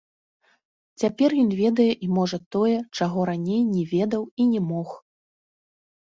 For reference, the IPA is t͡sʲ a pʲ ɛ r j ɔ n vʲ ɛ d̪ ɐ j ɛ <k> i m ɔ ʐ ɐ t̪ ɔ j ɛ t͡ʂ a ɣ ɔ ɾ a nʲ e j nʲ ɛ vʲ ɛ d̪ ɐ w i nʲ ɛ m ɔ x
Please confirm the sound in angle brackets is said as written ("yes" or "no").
no